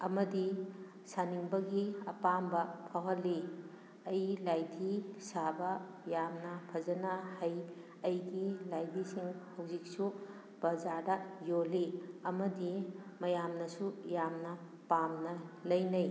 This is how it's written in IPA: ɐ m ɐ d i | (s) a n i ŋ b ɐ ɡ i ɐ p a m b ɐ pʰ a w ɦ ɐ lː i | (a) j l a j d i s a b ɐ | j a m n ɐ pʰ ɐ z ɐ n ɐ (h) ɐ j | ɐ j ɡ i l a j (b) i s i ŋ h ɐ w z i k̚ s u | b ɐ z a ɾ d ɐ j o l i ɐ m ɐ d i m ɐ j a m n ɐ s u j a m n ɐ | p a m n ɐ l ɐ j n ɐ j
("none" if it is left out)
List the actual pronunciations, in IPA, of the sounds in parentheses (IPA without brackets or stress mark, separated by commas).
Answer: s, ɐ, h, d